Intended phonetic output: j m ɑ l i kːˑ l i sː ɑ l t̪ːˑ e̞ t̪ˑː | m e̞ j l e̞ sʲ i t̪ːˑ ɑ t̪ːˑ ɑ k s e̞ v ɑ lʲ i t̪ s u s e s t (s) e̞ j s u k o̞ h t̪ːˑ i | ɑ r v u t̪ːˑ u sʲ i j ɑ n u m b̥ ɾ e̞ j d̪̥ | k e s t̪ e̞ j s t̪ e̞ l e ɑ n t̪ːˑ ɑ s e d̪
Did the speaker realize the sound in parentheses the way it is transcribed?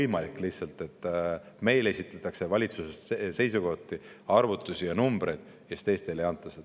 yes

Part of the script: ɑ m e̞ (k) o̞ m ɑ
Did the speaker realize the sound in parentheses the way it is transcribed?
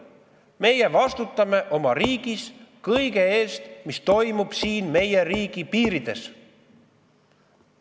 no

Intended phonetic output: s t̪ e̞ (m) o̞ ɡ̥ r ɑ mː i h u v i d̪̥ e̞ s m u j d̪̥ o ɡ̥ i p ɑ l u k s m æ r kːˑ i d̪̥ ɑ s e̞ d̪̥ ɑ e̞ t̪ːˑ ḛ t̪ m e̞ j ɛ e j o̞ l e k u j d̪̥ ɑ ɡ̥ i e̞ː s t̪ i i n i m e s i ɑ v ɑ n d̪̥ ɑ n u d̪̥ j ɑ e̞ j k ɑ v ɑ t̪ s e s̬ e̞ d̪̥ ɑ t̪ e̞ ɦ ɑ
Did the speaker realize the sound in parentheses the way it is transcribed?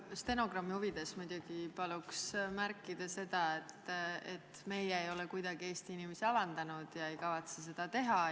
no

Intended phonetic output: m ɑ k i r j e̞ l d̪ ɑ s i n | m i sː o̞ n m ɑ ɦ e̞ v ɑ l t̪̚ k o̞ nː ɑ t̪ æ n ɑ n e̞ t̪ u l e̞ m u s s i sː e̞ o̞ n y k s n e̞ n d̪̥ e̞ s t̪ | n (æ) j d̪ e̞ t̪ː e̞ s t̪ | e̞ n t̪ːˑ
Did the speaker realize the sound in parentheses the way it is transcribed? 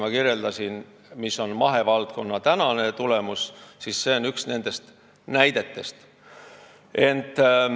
yes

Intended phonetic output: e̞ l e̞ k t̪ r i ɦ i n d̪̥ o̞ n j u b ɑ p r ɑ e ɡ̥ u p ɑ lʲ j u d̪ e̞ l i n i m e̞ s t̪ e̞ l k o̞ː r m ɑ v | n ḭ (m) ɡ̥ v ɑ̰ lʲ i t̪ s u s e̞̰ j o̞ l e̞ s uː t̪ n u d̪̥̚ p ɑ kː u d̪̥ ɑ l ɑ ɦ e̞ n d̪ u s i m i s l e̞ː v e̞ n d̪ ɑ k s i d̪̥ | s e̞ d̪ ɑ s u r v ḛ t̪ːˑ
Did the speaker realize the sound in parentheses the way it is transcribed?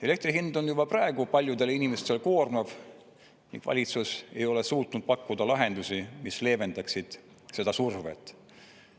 no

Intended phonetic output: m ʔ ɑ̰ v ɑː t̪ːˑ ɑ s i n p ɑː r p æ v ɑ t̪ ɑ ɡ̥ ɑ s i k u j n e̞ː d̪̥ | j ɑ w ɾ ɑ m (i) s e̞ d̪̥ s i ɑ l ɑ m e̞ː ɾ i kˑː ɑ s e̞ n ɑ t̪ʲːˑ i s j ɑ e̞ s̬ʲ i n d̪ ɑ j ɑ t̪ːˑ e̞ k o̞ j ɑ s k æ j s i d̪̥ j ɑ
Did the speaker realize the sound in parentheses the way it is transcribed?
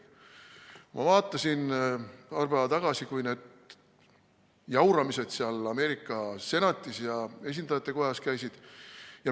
yes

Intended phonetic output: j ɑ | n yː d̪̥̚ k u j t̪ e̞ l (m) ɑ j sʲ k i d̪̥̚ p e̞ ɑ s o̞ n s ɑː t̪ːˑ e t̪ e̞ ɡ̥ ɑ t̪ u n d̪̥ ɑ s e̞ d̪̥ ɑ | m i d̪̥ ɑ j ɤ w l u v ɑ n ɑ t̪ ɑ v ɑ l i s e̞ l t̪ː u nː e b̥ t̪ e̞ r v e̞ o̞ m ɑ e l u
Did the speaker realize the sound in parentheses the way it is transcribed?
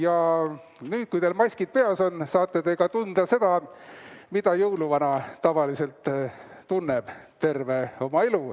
yes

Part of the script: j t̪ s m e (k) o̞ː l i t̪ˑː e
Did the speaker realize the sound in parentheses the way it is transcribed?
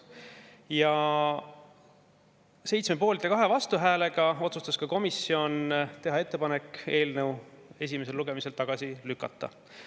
no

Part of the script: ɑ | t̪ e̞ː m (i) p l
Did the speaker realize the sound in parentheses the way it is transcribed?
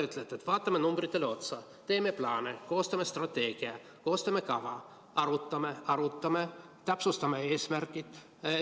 no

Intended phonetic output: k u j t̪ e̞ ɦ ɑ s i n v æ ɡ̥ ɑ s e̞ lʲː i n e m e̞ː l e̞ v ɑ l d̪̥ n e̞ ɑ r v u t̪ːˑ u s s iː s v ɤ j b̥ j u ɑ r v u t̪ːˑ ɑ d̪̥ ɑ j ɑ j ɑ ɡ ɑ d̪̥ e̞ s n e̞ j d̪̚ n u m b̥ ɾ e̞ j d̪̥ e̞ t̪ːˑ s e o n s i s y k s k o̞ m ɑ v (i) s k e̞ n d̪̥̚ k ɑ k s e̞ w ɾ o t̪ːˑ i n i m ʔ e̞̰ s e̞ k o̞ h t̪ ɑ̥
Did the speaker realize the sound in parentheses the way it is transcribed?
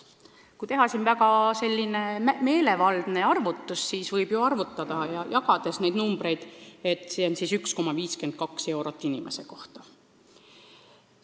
no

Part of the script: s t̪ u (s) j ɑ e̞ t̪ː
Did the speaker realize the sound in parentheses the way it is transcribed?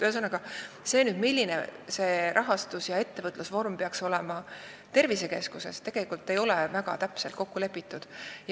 yes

